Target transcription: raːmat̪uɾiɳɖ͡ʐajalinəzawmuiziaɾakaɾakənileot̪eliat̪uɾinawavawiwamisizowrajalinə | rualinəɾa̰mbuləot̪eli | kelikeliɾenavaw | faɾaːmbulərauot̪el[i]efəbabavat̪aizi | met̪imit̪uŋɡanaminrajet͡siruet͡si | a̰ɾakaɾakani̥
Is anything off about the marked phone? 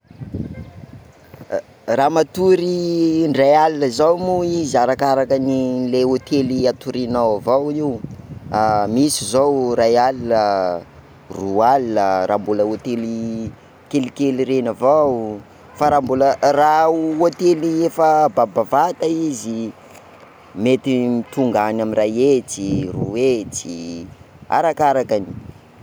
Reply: no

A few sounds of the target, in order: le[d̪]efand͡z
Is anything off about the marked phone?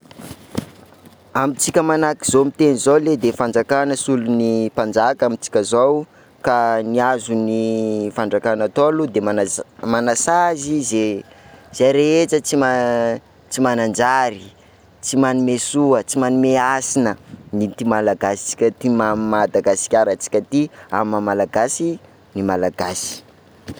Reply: no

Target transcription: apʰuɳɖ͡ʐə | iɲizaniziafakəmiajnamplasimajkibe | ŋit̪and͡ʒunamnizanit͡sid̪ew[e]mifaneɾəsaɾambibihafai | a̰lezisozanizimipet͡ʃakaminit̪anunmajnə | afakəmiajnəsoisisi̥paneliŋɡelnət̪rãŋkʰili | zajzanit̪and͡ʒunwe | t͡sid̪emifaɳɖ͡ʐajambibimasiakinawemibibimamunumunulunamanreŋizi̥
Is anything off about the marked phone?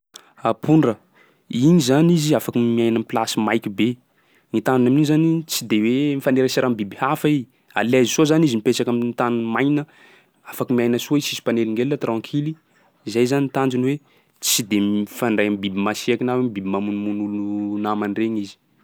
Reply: no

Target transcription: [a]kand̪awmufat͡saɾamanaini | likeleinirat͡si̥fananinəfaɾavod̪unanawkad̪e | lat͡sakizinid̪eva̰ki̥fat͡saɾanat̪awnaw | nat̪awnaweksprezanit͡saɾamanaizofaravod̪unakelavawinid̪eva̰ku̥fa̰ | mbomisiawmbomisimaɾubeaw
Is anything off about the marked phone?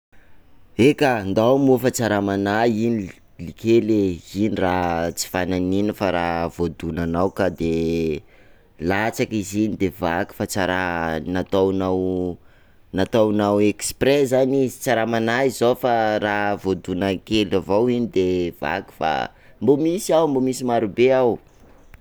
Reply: yes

